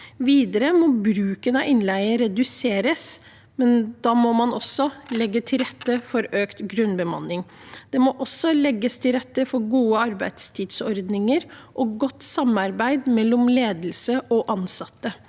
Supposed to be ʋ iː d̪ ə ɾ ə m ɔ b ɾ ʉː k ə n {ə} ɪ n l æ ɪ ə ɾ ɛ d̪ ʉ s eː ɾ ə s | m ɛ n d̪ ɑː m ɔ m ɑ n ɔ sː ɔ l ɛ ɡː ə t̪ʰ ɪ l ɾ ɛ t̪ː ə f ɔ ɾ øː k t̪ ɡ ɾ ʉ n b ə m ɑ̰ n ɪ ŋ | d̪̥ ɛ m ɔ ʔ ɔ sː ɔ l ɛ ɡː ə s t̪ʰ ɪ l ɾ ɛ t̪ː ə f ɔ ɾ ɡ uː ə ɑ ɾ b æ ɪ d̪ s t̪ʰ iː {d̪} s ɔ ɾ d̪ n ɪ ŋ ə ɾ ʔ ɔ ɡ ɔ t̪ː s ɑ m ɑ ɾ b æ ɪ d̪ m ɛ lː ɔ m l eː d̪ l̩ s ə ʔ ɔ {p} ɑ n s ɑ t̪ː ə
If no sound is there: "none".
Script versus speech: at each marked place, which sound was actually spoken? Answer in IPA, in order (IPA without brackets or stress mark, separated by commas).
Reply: ɑ, d̪, ʔ